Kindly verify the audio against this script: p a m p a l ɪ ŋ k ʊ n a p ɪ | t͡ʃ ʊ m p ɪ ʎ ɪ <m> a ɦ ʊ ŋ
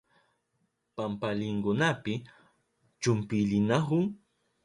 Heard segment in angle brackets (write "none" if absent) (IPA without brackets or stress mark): n